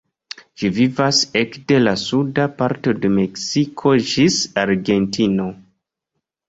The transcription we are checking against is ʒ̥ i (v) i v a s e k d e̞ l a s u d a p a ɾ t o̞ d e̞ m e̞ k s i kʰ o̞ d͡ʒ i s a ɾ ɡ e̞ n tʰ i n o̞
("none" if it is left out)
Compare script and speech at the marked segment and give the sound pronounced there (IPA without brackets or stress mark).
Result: v